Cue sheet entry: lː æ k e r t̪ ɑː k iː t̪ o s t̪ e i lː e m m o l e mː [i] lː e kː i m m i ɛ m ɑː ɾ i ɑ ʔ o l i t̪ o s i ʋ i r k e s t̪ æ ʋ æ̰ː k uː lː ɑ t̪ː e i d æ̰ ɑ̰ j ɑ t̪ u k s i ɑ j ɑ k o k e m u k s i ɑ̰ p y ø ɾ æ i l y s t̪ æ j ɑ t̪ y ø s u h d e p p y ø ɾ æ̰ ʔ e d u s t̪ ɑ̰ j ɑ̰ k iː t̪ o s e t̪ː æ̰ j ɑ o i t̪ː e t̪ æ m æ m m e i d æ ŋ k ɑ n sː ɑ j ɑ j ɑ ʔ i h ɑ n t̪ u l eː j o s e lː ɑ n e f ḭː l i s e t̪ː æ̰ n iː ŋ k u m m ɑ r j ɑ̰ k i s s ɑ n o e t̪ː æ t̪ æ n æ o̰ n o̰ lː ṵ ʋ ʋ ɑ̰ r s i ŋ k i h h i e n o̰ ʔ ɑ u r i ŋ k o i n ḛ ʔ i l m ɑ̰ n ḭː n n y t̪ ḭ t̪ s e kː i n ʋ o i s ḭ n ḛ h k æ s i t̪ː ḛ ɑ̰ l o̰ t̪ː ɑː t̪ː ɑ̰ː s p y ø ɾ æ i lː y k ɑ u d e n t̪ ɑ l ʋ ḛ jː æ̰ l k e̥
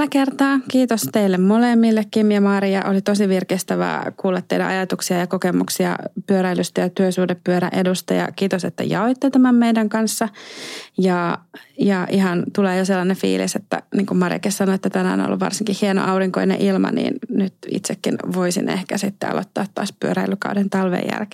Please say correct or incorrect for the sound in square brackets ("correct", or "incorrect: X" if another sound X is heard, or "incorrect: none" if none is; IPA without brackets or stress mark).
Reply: correct